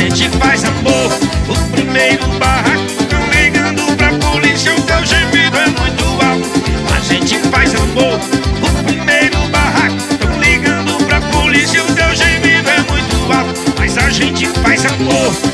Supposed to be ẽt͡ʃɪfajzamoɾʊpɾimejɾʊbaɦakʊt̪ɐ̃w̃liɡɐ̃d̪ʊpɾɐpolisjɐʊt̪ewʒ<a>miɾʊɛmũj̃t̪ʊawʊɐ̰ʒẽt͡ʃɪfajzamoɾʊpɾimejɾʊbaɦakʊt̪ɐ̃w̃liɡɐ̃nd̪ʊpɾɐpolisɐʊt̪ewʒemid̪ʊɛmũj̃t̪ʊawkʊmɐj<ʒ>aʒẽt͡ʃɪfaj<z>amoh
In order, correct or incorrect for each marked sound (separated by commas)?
incorrect, incorrect, correct